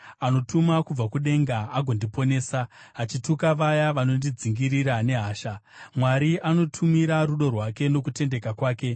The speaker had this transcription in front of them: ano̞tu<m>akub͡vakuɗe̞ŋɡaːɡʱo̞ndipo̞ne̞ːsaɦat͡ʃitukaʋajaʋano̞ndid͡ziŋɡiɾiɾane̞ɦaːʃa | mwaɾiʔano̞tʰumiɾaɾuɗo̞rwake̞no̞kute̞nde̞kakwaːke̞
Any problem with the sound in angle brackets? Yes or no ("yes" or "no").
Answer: no